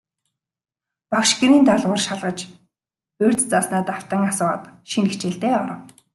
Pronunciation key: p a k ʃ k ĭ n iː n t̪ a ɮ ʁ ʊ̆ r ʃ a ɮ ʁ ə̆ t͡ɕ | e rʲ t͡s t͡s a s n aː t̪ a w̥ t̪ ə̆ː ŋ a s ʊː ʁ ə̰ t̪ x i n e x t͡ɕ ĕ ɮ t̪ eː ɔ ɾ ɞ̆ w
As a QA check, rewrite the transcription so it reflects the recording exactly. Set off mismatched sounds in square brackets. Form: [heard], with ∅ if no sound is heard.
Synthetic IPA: p a k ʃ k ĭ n iː n t̪ a ɮ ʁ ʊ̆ r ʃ a ɮ ʁ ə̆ t͡ɕ | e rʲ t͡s t͡s a s n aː t̪ a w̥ t̪ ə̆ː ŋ a s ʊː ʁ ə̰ t̪ [ʃ] i n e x t͡ɕ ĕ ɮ t̪ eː ɔ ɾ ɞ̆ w